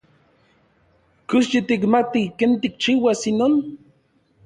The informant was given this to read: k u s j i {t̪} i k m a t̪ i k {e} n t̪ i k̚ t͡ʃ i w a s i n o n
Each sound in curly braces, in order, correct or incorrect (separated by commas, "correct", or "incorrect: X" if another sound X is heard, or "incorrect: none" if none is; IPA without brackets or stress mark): correct, correct